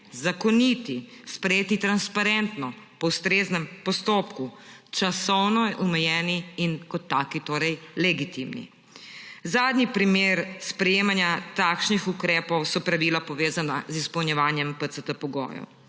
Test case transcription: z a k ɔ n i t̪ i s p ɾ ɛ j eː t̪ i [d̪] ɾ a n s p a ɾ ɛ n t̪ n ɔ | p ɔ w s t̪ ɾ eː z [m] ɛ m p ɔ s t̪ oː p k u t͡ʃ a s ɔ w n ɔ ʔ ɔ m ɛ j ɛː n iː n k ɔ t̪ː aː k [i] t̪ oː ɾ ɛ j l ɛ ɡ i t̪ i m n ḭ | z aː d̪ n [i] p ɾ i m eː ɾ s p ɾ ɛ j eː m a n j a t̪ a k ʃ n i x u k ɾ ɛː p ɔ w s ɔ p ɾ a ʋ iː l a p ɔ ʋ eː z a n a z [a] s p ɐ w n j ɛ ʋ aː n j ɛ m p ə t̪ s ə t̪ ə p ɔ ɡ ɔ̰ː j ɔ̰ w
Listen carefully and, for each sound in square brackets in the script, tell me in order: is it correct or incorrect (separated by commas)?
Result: incorrect, incorrect, correct, correct, incorrect